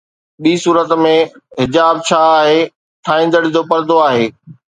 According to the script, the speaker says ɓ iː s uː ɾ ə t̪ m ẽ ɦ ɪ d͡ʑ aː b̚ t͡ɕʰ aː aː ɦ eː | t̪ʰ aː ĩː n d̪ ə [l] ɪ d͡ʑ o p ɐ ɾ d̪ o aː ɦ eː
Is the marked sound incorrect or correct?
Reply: incorrect